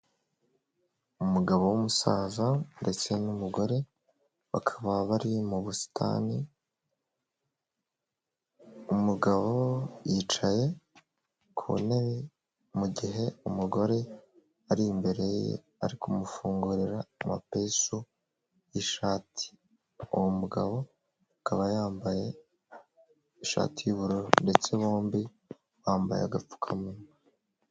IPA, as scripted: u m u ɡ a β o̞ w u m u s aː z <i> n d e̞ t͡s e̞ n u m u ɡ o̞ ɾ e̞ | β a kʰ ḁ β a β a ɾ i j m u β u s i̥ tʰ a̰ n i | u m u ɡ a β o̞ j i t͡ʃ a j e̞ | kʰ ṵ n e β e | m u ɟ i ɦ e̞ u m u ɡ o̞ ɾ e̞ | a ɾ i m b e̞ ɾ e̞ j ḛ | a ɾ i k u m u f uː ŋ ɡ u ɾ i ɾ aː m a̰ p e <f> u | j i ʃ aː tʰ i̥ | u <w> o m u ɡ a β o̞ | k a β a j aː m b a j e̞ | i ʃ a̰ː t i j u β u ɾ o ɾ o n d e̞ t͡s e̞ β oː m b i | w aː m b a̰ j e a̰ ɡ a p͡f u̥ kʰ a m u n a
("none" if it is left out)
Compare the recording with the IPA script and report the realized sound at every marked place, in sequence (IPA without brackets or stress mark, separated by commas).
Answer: a, s, w